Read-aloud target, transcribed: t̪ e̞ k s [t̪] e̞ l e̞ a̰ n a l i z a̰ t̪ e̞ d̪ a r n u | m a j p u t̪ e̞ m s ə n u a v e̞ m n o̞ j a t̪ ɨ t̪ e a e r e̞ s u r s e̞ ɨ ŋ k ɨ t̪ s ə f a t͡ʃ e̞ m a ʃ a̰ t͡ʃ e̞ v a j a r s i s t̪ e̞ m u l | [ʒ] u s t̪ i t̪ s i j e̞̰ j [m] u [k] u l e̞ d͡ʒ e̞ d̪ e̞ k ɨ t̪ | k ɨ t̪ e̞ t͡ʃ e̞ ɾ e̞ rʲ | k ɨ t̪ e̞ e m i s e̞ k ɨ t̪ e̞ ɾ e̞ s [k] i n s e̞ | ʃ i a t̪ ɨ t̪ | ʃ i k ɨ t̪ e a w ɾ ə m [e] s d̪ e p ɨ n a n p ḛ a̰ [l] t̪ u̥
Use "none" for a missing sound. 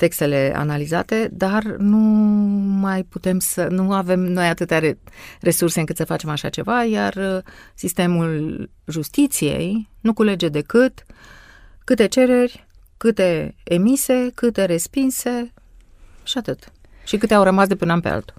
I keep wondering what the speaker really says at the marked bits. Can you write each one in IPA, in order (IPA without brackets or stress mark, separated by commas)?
t̪, ʒ, n, k, p, a, l